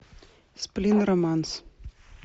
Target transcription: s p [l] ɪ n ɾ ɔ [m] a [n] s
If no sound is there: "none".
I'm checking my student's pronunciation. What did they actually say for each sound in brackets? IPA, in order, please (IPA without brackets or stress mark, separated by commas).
l, m, n